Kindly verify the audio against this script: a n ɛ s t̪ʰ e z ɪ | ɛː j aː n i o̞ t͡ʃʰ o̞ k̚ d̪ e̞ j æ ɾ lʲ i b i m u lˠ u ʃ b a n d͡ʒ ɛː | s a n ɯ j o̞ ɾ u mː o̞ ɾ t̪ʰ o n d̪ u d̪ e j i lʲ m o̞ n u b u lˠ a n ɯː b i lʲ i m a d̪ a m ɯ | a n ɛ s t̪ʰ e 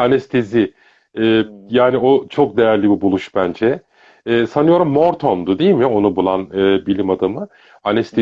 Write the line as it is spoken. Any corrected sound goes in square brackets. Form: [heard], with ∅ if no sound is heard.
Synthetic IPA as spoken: a n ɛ s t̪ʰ e z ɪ | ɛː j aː n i o̞ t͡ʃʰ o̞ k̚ d̪ e̞ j æ ɾ lʲ i b i [b] u lˠ u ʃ b [æ] n d͡ʒ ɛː | s a n ɯ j o̞ ɾ u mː o̞ ɾ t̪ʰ o n d̪ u d̪ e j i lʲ m o̞ n u b u lˠ a n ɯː b i lʲ i m a d̪ a m ɯ | a n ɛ s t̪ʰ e